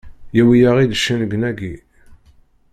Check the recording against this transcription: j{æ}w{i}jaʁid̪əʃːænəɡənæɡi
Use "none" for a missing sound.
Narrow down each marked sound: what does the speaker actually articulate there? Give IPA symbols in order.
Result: æ, i

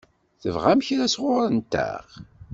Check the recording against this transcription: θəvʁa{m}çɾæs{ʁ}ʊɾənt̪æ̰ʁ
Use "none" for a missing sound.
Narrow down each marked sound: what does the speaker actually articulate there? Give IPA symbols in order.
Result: m, ʁ

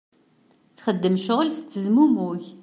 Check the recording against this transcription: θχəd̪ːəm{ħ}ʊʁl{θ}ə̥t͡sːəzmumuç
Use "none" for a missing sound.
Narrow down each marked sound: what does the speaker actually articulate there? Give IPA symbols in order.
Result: ʃ, θ

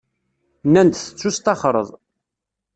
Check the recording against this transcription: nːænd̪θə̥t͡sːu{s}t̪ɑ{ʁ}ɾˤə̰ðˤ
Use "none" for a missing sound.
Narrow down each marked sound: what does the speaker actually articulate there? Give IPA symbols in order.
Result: s, χ

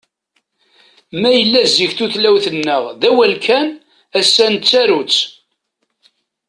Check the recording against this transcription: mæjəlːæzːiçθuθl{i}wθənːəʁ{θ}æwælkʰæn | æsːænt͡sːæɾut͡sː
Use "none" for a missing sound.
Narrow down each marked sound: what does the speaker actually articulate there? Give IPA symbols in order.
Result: æ, ð

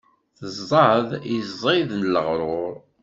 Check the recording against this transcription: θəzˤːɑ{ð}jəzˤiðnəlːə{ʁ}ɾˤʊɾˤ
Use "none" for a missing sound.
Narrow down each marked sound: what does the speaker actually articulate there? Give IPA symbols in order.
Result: ð, ʁ

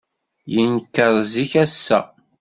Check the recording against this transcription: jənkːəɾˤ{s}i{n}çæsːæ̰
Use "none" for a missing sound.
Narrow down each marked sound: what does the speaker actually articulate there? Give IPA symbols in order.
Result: z, none

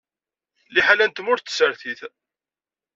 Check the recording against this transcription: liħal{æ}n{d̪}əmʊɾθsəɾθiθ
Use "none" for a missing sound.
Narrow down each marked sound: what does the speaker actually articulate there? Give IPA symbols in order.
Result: æ, t̪

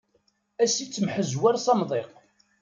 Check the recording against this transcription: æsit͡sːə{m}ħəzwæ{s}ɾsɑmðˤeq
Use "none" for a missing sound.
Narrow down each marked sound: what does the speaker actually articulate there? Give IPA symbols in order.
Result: m, none

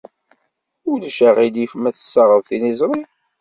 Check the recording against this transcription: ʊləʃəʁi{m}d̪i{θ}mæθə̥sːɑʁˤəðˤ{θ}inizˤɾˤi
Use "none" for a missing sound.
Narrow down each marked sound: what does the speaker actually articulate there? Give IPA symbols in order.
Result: none, f, θ

